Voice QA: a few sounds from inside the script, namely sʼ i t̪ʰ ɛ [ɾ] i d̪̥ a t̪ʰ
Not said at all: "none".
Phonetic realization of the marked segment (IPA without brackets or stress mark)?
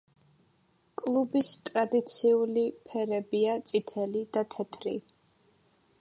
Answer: l